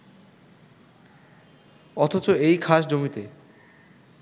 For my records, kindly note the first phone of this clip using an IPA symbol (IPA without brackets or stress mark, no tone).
ɔ